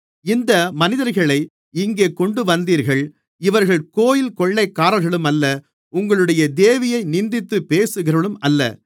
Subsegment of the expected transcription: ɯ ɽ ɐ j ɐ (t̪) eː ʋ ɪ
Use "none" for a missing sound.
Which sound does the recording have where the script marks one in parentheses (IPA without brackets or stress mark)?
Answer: d̪